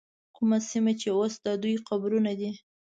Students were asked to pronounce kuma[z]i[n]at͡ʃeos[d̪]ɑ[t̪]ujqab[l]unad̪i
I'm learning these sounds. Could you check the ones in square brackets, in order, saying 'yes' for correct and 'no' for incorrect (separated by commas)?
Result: no, no, yes, no, no